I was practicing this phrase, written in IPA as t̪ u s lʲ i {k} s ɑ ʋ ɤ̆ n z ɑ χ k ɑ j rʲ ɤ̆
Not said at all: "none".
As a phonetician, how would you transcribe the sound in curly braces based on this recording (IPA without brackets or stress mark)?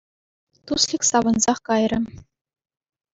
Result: k